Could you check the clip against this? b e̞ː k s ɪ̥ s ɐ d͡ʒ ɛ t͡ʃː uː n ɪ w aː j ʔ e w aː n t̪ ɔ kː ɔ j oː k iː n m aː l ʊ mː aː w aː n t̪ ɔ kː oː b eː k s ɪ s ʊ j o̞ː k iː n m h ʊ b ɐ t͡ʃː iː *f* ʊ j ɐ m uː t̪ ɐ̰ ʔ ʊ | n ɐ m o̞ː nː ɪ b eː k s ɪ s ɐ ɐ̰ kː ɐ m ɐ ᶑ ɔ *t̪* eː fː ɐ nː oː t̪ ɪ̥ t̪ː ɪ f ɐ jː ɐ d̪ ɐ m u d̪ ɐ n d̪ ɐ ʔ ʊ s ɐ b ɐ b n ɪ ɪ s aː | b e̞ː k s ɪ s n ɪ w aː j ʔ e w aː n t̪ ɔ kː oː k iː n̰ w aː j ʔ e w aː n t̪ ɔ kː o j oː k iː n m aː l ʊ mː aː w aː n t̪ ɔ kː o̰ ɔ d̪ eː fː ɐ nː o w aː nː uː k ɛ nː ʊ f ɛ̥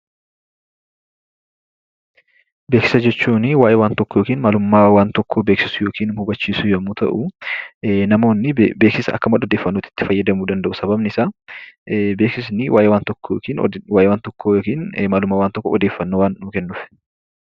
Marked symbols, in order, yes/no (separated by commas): no, no